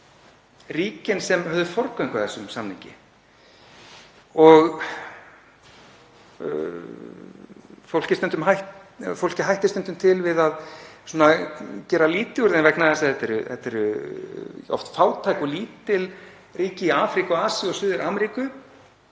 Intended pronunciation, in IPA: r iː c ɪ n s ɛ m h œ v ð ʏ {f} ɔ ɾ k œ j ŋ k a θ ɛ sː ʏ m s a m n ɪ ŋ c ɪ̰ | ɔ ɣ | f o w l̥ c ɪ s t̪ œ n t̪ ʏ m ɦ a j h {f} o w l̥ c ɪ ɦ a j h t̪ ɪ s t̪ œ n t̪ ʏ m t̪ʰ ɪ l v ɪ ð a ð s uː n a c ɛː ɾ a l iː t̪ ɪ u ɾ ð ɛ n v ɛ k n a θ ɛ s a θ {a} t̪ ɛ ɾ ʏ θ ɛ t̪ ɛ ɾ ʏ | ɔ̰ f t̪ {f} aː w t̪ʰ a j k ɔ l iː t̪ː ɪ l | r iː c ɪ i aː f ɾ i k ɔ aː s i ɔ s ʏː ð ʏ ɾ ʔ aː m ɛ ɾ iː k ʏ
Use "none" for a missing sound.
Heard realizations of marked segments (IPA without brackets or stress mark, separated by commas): f, f, ɛ, f